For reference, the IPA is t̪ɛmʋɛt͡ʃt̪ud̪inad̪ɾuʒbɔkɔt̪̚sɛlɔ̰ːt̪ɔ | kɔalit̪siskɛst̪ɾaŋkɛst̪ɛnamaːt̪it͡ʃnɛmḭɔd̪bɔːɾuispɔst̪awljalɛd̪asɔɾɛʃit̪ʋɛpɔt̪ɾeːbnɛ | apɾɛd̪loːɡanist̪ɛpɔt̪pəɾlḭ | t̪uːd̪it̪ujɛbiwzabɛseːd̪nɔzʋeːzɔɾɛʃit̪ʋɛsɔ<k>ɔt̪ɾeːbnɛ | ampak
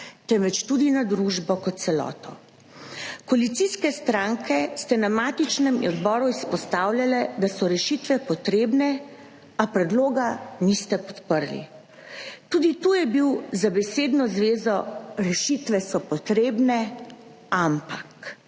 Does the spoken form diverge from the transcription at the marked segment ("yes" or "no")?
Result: yes